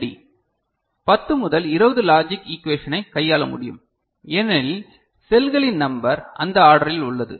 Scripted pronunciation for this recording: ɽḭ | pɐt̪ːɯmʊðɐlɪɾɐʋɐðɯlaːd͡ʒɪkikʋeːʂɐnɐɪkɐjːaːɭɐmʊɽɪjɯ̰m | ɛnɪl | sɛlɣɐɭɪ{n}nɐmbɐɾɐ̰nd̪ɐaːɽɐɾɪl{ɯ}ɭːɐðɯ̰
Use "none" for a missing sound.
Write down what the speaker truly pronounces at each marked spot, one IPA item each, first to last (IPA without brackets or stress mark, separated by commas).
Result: n, ʊ